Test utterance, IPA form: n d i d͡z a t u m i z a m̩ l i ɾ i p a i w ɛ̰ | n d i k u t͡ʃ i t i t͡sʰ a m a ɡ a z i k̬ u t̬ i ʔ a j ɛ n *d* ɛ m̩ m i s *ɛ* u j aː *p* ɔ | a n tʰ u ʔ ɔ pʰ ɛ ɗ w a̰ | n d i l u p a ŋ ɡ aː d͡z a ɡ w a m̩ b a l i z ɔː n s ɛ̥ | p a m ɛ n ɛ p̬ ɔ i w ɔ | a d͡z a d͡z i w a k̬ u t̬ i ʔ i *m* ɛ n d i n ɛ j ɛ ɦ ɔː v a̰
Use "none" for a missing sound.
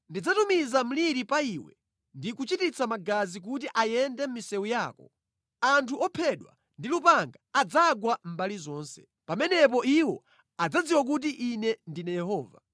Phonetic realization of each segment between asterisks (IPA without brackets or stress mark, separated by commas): d, ɛ, k, n